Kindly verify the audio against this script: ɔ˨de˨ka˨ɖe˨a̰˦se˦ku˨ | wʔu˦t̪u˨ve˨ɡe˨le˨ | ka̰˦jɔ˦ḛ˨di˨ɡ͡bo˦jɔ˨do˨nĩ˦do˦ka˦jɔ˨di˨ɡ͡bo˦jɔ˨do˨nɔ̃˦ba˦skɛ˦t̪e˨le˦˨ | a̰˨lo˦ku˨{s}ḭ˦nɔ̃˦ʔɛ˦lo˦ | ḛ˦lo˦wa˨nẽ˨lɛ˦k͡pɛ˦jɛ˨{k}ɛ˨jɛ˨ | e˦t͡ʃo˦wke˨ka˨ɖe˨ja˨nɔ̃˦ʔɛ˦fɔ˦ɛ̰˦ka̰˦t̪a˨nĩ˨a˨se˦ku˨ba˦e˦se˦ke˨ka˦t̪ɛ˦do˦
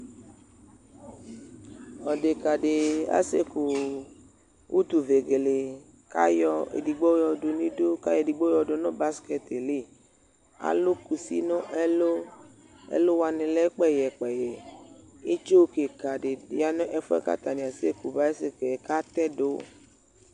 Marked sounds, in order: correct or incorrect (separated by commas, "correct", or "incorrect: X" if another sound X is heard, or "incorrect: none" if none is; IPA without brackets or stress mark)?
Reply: correct, incorrect: k͡p